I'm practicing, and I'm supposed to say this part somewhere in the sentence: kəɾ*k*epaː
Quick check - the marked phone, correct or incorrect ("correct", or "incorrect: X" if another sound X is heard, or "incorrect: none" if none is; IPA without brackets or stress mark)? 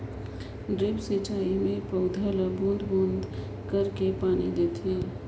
correct